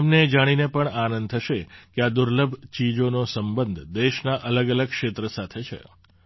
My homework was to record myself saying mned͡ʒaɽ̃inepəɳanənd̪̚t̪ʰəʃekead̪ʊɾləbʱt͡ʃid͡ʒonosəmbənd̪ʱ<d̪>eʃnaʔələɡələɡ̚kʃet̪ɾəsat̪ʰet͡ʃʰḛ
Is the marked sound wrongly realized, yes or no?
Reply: no